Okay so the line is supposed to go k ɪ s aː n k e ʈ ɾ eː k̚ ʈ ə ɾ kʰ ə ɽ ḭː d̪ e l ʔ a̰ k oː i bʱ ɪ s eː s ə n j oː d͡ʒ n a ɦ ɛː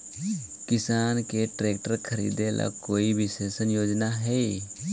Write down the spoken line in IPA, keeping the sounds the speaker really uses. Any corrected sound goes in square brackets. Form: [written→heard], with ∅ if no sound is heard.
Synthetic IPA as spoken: k ɪ s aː n k e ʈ ɾ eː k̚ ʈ ə ɾ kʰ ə [ɽ→ɾ] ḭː d̪ e l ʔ a̰ k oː i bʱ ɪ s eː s ə n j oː d͡ʒ n a ɦ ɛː